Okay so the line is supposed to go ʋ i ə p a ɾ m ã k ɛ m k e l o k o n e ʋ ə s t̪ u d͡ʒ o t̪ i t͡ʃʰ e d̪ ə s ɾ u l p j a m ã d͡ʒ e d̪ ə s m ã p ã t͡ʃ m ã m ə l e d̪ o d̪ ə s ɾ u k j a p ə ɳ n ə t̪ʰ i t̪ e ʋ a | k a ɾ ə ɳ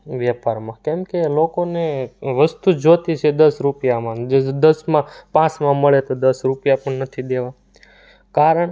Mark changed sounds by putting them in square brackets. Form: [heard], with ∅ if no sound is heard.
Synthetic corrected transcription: ʋ [j] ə p a ɾ m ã k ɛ m k e l o k o n e ʋ ə s t̪ u d͡ʒ o t̪ i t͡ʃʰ e d̪ ə s ɾ u [∅] p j a m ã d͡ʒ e d̪ ə s m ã p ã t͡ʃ m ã m ə [ɭ] e [t̪] o d̪ ə s ɾ u [p] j a p ə ɳ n ə t̪ʰ i [d̪] e ʋ a | k a ɾ ə ɳ